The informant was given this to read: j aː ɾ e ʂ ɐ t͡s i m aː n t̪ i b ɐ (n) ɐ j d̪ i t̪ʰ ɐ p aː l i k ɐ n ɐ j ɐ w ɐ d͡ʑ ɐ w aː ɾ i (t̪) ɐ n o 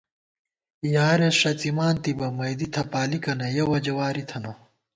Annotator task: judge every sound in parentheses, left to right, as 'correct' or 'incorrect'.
incorrect: m, incorrect: t̪ʰ

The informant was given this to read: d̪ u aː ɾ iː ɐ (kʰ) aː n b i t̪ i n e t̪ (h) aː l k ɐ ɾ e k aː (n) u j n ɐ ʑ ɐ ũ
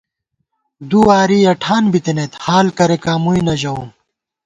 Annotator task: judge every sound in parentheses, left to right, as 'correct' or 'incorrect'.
incorrect: ʈʰ, correct, incorrect: m

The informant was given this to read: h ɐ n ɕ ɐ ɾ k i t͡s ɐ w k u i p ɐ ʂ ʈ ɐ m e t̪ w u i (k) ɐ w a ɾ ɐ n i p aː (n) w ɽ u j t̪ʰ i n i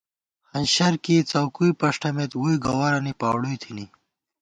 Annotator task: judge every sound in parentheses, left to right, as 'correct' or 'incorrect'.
incorrect: ɡ, incorrect: none

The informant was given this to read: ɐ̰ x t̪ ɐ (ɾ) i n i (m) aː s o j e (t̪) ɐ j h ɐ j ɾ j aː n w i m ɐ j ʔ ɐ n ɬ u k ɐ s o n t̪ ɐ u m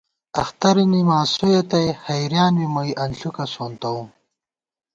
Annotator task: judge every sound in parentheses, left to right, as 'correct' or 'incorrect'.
correct, correct, correct

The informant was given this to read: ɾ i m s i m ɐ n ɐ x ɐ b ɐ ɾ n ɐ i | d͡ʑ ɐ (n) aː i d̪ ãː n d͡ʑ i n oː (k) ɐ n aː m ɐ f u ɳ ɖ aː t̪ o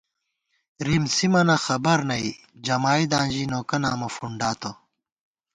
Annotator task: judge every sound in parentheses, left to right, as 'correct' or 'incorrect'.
incorrect: m, correct

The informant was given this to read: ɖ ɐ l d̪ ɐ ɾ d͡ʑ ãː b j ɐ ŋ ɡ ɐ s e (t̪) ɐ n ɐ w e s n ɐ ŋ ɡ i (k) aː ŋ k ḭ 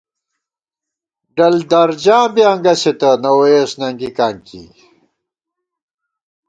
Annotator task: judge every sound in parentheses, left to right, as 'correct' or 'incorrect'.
correct, correct

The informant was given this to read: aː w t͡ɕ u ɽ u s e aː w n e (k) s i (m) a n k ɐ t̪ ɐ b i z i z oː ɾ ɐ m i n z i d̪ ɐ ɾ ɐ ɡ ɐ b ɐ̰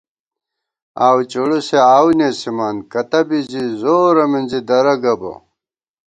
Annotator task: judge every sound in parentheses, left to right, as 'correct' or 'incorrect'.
incorrect: none, correct

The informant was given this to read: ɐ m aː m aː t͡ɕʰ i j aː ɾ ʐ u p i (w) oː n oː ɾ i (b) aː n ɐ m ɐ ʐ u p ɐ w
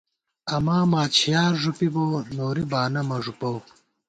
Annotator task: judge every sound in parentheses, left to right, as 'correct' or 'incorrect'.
incorrect: b, correct

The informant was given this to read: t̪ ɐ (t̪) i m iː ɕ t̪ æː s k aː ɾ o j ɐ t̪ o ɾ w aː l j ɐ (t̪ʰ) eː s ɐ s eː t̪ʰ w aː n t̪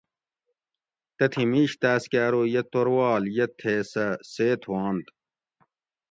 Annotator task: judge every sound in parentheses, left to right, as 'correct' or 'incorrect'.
incorrect: t̪ʰ, correct

